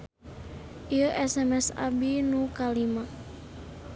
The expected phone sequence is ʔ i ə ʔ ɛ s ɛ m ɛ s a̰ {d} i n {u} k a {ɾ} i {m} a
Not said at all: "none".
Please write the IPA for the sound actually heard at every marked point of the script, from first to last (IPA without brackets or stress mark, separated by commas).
b, u, l, m